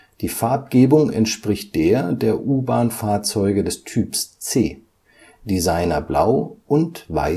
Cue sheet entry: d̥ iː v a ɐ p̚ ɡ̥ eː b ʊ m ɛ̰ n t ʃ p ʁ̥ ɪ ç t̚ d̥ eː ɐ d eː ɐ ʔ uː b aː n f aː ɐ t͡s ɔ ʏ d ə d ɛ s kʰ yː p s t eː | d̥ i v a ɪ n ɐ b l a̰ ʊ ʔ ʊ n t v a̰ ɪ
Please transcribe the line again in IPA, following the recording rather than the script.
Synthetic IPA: d̥ iː f a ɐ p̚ ɡ̥ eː b ʊ ŋ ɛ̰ n t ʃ p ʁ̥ ɪ ç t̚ d̥ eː ɐ d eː ɐ ʔ uː b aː n f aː ɐ t͡s ɔ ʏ ɡ ə d ɛ s tʰ yː p s t͡s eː | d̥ i z a ɪ n ɐ b l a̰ ʊ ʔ ʊ n t v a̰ ɪ